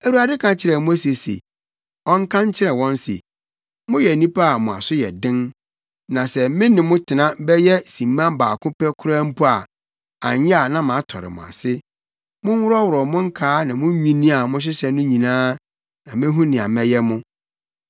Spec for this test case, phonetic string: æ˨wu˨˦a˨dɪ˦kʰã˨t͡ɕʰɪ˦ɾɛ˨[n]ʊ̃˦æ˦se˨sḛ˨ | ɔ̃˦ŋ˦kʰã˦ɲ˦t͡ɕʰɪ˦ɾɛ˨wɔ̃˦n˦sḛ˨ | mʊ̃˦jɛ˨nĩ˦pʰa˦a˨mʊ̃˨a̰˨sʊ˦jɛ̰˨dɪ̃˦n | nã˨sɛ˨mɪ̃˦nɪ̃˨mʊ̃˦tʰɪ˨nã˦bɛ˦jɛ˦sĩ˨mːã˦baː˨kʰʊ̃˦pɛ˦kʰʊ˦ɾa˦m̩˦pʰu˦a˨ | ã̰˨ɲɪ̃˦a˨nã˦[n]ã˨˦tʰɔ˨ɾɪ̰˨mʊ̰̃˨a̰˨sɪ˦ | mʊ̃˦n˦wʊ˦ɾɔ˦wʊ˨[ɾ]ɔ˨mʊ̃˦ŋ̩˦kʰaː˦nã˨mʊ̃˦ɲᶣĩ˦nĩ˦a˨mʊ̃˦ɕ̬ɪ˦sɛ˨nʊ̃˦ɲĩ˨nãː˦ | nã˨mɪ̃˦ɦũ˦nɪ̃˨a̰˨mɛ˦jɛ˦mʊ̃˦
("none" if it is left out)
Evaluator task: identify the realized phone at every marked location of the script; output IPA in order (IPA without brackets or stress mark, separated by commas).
m, m, ɾ